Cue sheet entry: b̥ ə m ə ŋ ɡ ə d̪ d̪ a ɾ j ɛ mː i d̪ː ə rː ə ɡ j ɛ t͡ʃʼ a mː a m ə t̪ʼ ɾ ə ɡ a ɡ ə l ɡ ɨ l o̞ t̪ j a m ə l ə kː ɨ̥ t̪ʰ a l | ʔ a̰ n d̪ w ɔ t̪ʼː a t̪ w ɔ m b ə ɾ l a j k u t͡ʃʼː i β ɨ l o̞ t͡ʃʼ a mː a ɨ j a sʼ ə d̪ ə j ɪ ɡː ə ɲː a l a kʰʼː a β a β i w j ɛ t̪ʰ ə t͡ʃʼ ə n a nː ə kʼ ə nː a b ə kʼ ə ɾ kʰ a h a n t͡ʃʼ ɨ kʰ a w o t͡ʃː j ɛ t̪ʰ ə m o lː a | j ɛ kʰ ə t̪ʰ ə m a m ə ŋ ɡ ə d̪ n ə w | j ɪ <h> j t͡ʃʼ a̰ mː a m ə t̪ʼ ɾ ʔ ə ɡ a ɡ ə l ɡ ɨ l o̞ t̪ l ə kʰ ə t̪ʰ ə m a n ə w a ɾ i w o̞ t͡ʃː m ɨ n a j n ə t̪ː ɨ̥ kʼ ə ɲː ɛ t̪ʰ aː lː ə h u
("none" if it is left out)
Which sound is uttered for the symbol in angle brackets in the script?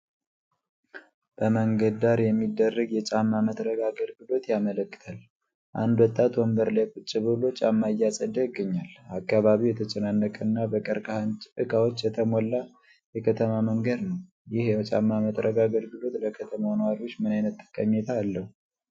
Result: h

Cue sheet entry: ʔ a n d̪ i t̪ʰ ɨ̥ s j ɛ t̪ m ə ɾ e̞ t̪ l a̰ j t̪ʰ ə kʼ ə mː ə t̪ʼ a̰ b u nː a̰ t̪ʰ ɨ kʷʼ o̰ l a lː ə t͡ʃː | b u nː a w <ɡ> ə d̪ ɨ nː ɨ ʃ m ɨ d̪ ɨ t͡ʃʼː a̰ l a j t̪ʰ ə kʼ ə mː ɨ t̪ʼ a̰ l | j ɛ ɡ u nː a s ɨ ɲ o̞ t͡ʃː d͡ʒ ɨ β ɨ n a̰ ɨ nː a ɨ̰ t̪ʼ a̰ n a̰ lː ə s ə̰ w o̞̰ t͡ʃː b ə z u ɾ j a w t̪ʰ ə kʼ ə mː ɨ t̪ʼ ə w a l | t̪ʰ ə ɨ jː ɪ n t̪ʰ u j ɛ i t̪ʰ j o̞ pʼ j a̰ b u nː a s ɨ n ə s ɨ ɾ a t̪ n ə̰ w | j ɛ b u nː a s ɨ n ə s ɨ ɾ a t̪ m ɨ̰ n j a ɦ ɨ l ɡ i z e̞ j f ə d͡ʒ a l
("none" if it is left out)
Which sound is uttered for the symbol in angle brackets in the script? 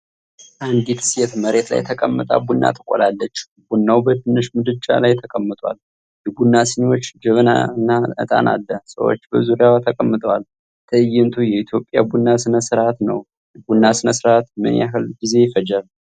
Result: b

